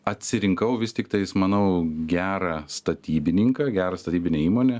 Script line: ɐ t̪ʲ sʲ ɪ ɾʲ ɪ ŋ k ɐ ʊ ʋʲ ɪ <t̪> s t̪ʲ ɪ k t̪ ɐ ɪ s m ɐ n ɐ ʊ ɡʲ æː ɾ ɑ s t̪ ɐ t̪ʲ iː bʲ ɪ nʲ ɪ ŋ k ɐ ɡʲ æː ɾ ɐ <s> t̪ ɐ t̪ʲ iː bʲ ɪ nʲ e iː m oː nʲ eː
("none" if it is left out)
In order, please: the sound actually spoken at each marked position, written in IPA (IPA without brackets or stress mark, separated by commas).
none, s